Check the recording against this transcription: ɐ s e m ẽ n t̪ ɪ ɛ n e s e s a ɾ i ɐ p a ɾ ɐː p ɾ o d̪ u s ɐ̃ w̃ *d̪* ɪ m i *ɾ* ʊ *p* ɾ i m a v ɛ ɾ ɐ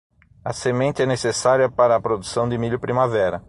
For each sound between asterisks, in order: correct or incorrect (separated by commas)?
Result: correct, incorrect, correct